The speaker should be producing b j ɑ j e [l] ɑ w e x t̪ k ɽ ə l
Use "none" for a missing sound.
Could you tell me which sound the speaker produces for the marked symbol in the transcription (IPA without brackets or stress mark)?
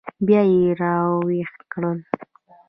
ɾ